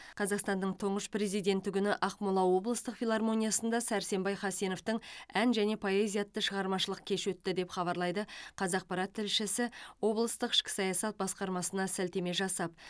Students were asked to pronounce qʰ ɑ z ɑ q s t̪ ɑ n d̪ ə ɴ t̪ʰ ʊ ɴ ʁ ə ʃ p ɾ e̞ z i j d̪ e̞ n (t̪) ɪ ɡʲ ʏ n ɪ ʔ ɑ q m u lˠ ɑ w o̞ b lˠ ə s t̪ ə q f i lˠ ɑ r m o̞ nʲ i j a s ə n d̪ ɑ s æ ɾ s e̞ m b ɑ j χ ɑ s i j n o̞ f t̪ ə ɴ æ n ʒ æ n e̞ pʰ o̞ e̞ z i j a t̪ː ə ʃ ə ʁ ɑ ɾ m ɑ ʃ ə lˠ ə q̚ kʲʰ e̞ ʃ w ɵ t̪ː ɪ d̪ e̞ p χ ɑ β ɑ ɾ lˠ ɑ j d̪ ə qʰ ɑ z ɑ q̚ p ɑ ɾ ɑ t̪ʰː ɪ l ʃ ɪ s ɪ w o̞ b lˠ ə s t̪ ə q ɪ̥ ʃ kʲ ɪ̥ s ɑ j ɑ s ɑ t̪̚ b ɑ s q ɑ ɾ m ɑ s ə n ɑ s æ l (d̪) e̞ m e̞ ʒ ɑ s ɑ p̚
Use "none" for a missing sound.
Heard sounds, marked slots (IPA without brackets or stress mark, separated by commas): t̪, t̪